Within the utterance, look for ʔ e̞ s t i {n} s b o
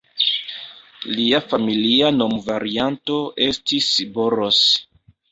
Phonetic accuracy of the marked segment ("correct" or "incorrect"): incorrect